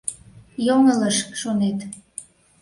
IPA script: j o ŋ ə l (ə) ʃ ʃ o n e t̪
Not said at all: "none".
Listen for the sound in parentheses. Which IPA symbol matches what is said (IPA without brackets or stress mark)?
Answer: ə